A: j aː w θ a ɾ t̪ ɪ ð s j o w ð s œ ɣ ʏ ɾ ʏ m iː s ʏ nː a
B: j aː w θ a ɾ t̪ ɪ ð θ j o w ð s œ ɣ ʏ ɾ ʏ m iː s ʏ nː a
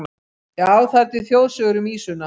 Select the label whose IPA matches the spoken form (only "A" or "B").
B